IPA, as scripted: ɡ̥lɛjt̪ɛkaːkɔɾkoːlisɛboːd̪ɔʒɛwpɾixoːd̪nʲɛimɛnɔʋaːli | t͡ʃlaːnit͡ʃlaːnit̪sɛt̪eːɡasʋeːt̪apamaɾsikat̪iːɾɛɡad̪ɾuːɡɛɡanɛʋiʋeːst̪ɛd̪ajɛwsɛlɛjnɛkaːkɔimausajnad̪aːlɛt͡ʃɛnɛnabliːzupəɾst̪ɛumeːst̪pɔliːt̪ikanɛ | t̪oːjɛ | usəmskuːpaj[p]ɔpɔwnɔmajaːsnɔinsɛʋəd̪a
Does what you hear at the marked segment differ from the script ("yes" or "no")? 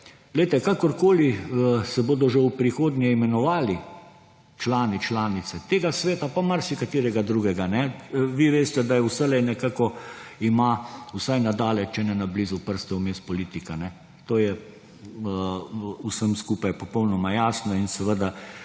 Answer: no